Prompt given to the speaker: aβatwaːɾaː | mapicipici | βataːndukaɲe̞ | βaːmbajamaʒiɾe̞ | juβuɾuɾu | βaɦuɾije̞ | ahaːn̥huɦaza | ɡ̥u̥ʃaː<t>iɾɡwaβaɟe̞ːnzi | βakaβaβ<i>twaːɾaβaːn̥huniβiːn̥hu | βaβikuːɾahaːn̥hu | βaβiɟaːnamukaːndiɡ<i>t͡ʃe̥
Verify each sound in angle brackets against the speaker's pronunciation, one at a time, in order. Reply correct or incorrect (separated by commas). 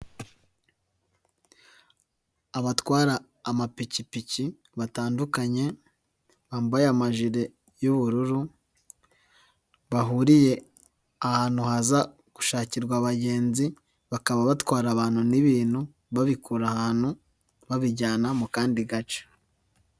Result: incorrect, incorrect, incorrect